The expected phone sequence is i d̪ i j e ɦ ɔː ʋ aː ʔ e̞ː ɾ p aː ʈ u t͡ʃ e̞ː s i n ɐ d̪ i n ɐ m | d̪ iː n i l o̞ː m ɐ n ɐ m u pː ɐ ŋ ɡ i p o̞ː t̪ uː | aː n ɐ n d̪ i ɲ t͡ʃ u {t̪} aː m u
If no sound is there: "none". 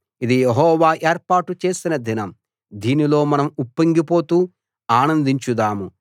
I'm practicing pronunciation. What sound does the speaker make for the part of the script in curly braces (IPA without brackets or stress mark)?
d̪